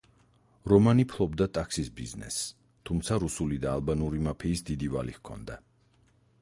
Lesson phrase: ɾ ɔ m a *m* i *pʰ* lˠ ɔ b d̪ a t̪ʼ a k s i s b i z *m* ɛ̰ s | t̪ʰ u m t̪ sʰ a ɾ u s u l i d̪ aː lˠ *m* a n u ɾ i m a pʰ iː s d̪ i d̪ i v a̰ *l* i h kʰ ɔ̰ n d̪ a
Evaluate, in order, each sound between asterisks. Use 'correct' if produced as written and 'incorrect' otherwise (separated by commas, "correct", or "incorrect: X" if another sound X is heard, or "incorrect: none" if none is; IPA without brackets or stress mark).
incorrect: n, correct, incorrect: n, incorrect: b, correct